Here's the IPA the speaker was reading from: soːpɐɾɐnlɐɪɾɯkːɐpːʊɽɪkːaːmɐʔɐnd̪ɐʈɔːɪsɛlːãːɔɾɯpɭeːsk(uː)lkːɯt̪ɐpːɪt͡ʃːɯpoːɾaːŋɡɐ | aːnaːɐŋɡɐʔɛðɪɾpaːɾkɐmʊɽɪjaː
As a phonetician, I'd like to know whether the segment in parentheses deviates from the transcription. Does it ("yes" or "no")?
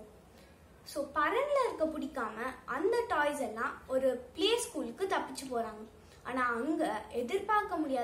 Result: no